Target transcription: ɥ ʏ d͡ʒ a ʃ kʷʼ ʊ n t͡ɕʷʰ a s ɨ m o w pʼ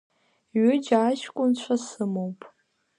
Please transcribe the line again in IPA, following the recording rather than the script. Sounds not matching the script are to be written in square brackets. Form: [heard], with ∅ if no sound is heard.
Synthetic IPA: ɥ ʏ d͡ʒ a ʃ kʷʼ ʊ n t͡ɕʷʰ a s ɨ m o w pʼ